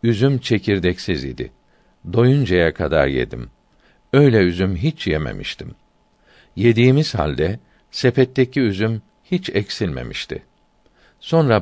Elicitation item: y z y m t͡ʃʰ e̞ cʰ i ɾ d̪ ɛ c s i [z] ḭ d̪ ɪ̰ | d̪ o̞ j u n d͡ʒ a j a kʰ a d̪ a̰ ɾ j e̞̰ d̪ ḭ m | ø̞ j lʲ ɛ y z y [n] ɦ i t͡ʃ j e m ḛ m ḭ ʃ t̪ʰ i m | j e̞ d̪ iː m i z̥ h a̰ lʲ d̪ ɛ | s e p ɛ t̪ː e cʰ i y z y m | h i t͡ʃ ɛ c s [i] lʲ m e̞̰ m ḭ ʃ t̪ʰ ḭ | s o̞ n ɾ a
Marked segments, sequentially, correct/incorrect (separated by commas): correct, incorrect, correct